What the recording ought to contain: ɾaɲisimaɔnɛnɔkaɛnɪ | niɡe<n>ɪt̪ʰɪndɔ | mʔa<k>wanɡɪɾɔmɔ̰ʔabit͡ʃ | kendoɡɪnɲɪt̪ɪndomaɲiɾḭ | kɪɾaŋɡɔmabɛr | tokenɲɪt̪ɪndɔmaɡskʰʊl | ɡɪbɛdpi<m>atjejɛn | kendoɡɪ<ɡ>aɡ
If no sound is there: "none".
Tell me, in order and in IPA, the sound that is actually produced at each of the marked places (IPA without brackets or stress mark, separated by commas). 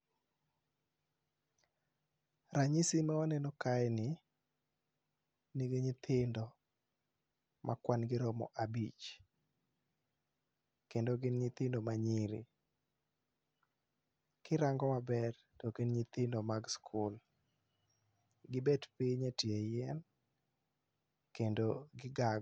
ɲ, k, ɲ, ɡ